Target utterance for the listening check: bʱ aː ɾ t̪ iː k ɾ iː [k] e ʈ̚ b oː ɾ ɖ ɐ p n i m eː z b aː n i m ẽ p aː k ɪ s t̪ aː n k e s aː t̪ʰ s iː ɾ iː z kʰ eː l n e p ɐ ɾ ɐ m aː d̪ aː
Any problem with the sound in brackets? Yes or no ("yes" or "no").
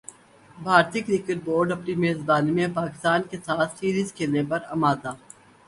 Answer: no